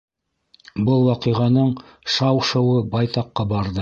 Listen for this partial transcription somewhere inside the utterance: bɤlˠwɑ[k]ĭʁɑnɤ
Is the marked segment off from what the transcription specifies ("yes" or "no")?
yes